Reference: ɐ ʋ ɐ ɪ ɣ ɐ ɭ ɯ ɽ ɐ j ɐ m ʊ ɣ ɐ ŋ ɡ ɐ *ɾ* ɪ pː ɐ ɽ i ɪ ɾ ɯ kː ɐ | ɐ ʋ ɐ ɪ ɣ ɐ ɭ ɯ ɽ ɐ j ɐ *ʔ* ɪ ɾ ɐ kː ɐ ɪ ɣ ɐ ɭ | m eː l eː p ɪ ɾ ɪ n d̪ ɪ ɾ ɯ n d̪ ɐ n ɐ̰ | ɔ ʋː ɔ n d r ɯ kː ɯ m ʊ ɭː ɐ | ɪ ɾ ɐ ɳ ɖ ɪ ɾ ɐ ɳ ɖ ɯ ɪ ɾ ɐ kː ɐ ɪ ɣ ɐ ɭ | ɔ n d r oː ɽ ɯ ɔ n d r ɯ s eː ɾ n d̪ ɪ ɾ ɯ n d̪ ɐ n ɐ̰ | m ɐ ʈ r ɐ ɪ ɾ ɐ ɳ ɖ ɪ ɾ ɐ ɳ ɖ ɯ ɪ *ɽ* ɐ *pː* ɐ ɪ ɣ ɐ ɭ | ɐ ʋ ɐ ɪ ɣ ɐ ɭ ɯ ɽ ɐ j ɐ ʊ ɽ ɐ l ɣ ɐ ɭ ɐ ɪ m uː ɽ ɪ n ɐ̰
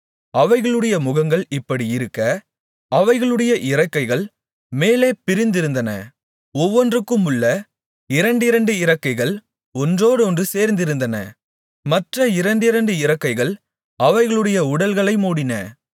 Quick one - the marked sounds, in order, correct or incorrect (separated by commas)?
incorrect, correct, incorrect, incorrect